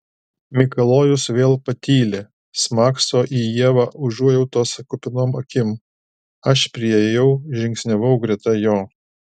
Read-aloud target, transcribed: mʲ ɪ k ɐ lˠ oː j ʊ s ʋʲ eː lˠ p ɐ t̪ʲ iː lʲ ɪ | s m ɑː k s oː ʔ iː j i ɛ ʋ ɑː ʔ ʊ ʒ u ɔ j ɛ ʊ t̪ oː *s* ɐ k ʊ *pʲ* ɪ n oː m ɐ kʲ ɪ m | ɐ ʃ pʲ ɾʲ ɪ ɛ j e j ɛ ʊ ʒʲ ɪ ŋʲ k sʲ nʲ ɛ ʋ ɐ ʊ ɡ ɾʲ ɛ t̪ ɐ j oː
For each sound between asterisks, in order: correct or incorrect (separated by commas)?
correct, correct